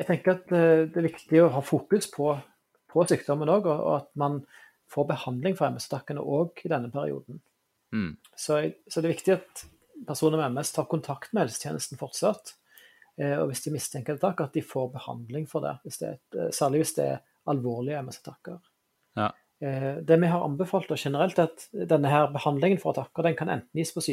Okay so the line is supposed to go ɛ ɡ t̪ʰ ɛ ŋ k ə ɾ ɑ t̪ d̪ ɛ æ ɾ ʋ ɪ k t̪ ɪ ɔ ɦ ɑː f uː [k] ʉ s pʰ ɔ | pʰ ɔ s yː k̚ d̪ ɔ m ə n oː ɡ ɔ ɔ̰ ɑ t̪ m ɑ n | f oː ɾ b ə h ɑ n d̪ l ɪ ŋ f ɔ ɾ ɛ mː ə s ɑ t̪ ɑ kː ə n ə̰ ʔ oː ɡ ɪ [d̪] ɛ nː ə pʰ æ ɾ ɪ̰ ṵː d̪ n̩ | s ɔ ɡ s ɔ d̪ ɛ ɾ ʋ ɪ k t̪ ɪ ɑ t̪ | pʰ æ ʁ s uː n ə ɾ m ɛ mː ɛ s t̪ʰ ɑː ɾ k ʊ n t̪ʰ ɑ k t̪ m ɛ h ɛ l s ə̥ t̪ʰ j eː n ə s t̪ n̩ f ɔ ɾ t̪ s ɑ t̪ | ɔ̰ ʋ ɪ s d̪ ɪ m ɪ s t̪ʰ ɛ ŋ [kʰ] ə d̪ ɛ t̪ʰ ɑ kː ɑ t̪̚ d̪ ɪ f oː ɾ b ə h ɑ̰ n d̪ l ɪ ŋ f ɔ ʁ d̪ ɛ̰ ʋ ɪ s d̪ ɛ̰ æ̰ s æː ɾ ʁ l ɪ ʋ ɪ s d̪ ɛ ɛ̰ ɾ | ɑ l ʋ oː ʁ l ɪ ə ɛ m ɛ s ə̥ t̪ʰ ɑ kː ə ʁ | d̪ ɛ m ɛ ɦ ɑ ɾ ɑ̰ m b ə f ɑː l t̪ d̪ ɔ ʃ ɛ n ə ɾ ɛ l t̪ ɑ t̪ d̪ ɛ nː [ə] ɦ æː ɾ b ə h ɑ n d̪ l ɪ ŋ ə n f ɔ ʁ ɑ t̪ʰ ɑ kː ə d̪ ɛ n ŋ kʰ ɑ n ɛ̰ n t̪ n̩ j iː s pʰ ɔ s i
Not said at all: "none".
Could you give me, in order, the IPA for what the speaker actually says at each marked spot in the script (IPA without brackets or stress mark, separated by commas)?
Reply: k, d̪, k, ə